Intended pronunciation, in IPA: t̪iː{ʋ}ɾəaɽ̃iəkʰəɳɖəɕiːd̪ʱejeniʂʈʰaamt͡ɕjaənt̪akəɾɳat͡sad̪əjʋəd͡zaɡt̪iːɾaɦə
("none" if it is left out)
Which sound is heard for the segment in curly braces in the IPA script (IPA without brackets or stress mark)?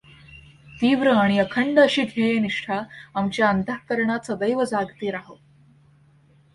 ʋ